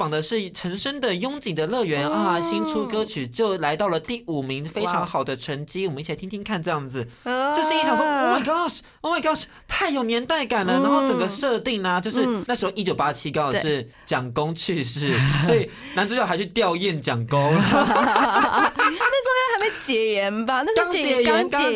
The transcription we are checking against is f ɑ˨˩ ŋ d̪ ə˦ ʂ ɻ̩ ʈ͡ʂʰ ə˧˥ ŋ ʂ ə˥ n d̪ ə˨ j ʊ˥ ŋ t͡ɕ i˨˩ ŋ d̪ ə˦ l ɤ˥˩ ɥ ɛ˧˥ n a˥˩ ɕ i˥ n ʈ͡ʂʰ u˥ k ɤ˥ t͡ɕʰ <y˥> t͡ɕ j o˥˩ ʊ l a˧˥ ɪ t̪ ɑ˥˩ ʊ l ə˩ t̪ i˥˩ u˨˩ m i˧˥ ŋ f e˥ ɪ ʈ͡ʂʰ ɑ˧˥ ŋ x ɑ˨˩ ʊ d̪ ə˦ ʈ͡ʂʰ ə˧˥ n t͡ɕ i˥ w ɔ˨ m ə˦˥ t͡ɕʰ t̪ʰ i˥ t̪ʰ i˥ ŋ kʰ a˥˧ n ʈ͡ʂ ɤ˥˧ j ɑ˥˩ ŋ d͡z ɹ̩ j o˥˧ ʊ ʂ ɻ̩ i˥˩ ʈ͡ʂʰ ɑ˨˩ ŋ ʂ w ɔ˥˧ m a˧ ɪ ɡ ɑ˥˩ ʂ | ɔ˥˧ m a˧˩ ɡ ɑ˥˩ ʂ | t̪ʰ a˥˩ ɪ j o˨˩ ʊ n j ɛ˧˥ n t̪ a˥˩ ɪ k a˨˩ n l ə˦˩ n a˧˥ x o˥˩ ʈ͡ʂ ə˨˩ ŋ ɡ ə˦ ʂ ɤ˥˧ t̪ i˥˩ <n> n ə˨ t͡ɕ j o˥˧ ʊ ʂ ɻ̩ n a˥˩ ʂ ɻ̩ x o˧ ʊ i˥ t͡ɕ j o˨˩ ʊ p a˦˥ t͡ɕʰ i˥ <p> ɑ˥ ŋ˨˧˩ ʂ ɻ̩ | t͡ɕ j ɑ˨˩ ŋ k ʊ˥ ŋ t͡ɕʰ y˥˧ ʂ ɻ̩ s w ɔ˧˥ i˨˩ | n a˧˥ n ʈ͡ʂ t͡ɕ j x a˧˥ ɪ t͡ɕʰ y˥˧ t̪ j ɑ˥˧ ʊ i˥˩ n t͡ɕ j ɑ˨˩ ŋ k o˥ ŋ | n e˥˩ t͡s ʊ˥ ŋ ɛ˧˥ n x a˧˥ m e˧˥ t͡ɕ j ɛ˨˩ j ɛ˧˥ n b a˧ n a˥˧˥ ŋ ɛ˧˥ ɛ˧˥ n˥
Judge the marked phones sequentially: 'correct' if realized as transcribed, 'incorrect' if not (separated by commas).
incorrect, incorrect, incorrect